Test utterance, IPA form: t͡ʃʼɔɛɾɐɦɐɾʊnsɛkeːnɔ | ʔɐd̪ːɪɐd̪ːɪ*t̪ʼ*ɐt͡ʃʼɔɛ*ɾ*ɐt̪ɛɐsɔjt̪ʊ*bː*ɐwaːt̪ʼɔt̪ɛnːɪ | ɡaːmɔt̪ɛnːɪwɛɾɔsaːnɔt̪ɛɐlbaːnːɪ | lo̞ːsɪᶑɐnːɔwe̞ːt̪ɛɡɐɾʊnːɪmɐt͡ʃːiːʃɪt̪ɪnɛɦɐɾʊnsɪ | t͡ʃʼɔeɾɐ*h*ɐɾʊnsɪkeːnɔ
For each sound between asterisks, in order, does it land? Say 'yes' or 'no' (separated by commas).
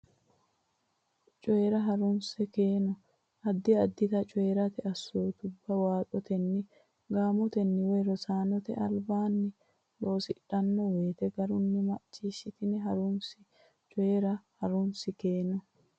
no, yes, yes, yes